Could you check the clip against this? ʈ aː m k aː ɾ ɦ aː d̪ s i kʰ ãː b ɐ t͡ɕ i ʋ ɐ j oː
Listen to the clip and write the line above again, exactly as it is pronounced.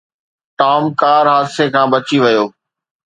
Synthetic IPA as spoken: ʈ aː m k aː ɾ ɦ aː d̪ s e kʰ ãː b ɐ t͡ɕ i ʋ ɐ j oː

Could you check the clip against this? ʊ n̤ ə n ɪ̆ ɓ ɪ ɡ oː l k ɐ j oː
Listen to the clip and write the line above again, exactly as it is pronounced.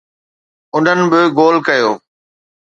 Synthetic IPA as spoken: ʊ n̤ ə n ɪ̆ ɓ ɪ ɡ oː l k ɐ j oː

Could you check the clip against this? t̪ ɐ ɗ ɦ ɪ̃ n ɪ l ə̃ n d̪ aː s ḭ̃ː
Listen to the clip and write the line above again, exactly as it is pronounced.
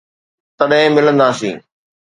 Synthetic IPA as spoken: t̪ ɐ ɗ ɦ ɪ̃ m ɪ l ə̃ n d̪ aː s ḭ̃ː

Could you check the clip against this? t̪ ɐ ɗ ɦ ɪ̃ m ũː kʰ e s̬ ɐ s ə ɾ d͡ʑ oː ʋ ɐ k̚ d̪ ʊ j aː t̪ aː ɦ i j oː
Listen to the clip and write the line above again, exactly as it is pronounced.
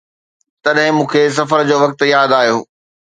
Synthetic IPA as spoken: t̪ ɐ ɗ ɦ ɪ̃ m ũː kʰ e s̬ ɐ f ə ɾ d͡ʑ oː ʋ ɐ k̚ t̪ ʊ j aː d̪ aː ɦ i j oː

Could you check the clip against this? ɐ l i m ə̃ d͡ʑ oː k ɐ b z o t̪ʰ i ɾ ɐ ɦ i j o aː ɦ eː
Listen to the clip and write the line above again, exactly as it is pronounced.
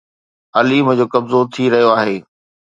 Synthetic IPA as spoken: ɐ l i m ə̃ d͡ʑ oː k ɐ b z o t̪ʰ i ɾ ɐ ɦ i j o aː ɦ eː

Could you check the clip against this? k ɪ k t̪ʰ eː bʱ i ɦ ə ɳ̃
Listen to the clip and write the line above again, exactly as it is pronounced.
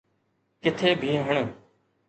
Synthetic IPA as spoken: k ɪ t̪ʰ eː bʱ iː ɦ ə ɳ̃

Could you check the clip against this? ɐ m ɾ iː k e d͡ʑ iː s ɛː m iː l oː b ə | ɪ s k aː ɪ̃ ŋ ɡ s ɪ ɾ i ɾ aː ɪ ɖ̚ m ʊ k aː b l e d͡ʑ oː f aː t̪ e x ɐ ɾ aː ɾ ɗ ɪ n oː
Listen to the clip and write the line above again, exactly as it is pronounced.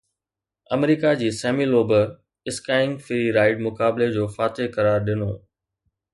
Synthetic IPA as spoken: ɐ m ɾ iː k a d͡ʑ iː s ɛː m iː l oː b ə | ɪ s k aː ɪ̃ ŋ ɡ f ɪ ɾ i ɾ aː ɪ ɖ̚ m ʊ k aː b l e d͡ʑ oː f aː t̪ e k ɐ ɾ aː ɾ ɗ ɪ n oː

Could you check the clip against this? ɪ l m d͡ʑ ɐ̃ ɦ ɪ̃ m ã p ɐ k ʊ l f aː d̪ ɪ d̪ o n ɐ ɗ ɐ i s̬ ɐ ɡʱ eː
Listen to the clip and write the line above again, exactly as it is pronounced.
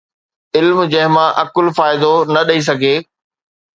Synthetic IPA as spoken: ɪ l m d͡ʑ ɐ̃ ɦ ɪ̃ m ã ʔ ɐ k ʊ l f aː ɪ d̪ o n ɐ ɗ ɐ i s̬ ɐ ɡʱ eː

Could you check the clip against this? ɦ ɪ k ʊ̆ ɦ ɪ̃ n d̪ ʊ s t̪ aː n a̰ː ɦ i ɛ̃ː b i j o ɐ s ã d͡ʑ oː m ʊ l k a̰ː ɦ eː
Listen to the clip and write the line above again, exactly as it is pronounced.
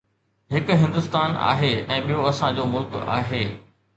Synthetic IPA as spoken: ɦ ɪ k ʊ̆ ɦ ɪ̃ n d̪ ʊ s t̪ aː n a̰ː ɦ e ɛ̃ː ɓ i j o ɐ s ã d͡ʑ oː m ʊ l k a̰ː ɦ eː

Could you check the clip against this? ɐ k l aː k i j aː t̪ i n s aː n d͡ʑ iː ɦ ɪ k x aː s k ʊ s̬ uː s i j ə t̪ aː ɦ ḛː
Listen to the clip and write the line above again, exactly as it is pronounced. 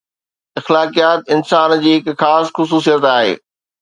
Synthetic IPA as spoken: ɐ x l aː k i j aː t̪ ɪ n s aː n d͡ʑ iː ɦ ɪ k x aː s x ʊ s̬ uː s i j ə t̪ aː ɦ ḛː

